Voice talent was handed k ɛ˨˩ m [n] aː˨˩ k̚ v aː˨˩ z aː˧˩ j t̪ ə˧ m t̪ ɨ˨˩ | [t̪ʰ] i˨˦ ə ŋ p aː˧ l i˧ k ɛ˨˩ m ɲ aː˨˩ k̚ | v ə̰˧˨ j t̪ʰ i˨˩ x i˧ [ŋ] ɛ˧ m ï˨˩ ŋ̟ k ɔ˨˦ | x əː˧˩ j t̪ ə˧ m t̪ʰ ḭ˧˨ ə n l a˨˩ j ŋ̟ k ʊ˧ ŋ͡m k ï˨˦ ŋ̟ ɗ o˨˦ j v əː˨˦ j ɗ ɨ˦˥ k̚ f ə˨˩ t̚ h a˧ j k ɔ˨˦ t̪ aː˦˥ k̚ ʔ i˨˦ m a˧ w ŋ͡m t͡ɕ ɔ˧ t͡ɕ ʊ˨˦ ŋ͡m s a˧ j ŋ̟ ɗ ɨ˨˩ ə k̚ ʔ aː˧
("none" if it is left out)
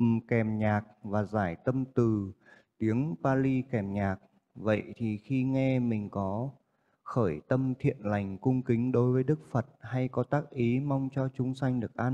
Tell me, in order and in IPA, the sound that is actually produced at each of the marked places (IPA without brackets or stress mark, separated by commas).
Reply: ɲ, t̪, ŋ